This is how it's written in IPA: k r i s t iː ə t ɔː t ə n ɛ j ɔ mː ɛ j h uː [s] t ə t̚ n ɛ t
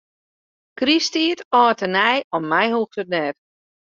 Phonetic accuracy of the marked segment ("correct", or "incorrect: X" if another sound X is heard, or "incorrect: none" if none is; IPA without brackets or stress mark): incorrect: x